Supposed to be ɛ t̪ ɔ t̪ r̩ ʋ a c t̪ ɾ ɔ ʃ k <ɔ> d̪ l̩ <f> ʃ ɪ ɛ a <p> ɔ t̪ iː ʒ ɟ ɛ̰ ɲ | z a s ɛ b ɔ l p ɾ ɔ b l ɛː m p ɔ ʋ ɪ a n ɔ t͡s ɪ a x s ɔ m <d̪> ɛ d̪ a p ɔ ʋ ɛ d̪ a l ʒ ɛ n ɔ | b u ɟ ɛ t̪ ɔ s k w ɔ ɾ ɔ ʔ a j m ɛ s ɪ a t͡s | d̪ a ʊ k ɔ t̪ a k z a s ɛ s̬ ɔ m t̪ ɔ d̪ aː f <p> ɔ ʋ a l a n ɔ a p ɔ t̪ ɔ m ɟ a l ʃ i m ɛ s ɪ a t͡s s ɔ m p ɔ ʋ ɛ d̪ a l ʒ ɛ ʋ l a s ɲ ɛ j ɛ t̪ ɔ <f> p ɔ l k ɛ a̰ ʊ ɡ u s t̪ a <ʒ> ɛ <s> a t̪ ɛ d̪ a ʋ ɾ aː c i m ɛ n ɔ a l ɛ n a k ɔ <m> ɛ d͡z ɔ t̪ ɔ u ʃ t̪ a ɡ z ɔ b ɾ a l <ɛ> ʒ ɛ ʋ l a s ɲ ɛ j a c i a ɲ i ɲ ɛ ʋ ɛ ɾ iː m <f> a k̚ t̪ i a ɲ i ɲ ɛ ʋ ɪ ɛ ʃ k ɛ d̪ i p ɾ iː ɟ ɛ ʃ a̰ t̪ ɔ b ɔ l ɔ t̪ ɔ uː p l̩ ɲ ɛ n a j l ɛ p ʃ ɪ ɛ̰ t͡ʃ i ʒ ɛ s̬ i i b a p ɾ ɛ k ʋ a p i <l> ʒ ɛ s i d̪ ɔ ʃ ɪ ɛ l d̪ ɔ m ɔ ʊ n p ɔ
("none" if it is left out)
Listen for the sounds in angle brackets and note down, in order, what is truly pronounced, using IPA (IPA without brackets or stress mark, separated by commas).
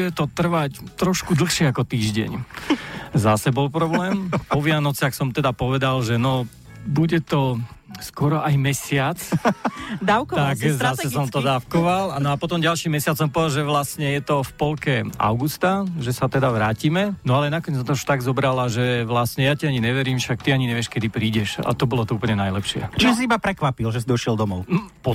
u, x, k, t̪, k, f, ʒ, s, ɲ, a, ʃ, l